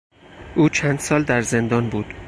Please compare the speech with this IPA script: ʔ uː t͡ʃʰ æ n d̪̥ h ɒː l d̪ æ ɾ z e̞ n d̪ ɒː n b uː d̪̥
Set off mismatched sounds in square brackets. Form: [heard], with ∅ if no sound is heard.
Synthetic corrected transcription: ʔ uː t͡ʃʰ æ n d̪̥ [s] ɒː l d̪ æ ɾ z e̞ n d̪ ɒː n b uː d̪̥

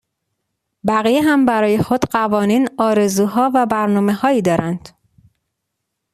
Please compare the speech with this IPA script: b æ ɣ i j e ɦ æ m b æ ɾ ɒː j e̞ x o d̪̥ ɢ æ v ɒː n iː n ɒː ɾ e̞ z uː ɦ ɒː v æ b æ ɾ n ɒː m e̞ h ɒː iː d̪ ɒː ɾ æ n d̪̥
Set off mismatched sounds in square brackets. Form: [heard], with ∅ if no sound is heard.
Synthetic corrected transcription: b æ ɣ i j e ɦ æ m b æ ɾ ɒː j e̞ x o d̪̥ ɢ æ v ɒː n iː n ɒː ɾ e̞ z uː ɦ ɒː v æ b æ ɾ n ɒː m e̞ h ɒː iː d̪ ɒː ɾ æ n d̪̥

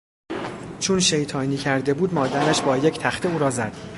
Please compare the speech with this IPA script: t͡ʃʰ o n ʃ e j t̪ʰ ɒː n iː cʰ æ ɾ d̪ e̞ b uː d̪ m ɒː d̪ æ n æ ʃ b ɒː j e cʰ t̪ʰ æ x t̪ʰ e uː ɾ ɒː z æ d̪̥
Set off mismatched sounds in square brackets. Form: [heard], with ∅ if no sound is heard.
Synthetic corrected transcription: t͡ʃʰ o n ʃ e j t̪ʰ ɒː n iː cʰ æ ɾ d̪ e̞ b uː d̪ m ɒː d̪ æ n æ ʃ b ɒː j e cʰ t̪ʰ æ x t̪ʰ e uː ɾ ɒː z æ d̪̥

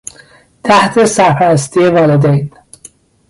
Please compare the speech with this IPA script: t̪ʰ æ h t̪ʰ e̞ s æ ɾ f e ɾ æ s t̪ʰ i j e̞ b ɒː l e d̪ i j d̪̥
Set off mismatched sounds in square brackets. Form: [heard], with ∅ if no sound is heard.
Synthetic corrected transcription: t̪ʰ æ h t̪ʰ e̞ s æ ɾ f [æ] ɾ æ s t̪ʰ i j e̞ [v] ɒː l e d̪ [e] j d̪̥

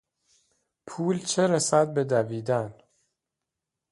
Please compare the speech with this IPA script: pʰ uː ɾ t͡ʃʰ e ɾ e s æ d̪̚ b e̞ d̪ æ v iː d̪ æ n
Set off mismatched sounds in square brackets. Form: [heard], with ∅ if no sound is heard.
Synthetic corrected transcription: pʰ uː [l] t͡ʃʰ e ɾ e s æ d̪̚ b e̞ d̪ æ v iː d̪ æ n

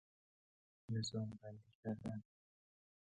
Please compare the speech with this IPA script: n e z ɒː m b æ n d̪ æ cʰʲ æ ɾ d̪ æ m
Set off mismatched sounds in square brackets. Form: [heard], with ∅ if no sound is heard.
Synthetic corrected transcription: n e z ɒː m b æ n d̪ [i] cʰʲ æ ɾ d̪ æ [n]

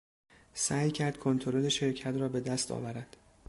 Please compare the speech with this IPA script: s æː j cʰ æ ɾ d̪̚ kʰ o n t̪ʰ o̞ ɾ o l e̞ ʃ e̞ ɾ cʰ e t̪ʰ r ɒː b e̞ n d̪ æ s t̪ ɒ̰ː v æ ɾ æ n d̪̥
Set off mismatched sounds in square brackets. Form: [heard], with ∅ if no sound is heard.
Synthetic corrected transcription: s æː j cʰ æ ɾ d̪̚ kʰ o n t̪ʰ o̞ ɾ o l e̞ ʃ e̞ ɾ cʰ [æ] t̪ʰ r ɒː b e̞ [∅] d̪ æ s t̪ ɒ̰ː v æ ɾ æ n d̪̥

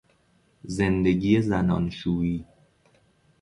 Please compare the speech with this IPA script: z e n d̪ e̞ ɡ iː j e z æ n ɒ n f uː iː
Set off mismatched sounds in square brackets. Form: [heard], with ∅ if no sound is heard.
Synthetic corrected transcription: z e n d̪ e̞ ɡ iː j e z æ n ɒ n [ʃ] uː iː

